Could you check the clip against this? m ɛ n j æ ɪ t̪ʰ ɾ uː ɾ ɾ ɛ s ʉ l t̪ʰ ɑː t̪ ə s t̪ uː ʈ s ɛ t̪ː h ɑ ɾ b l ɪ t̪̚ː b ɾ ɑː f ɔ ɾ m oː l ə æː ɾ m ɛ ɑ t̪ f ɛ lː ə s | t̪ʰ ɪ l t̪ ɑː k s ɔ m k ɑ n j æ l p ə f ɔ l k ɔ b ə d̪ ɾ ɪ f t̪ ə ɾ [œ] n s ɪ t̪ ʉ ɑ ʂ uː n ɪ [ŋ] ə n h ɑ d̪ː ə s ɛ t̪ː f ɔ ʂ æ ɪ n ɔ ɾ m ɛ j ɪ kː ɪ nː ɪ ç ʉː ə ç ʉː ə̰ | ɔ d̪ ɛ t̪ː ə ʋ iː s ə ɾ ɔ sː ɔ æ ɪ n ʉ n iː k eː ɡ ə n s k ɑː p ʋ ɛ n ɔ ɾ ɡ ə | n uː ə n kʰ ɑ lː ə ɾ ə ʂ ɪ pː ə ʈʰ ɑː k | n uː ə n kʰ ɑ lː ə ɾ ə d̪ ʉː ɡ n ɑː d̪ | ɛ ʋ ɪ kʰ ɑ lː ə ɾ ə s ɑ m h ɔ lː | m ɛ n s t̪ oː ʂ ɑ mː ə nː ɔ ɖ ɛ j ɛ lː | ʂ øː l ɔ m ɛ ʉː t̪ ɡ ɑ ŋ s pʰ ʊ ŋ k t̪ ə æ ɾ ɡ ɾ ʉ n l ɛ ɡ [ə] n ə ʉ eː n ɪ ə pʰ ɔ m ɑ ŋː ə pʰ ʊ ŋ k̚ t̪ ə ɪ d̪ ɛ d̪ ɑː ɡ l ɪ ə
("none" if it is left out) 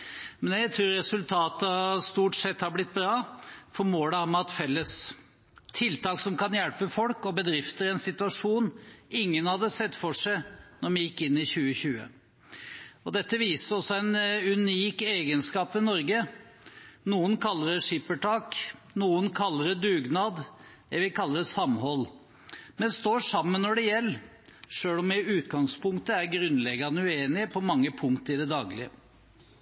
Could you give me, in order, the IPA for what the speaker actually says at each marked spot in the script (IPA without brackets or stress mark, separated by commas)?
ɛ, ŋː, ɑ